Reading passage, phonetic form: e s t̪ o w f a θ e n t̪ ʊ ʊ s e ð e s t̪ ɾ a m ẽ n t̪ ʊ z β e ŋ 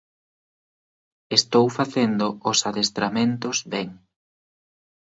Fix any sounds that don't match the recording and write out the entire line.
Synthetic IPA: e s t̪ o w f a θ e n d̪ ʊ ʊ s a ð e s t̪ ɾ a m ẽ n t̪ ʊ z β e ŋ